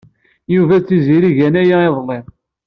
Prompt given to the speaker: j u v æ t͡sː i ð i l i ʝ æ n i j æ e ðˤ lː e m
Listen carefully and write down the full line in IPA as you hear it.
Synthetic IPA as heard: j u v æ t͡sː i z i ɾ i ʝ æ n æ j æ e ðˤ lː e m